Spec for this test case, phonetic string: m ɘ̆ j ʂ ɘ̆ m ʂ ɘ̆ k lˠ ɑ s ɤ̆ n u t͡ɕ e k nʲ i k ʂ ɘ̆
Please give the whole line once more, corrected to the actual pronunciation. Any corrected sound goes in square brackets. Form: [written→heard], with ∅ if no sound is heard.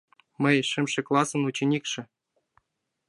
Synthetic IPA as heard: m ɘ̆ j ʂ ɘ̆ m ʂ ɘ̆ k lˠ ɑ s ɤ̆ n u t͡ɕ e [k→∅] nʲ i k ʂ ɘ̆